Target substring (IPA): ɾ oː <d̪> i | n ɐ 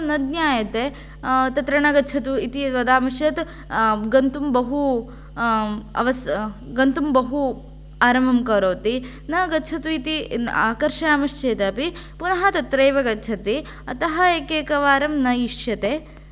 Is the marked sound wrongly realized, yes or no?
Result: yes